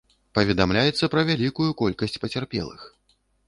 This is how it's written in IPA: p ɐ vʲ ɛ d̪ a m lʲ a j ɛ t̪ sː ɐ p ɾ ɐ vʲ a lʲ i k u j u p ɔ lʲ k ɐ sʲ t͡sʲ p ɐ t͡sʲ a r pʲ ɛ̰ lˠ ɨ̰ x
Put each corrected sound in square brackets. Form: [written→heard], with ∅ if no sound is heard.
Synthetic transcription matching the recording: p ɐ vʲ ɛ d̪ a m lʲ a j ɛ t̪ sː ɐ p ɾ ɐ vʲ a lʲ i k u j u [p→k] ɔ lʲ k ɐ sʲ t͡sʲ p ɐ t͡sʲ a r pʲ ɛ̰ lˠ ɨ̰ x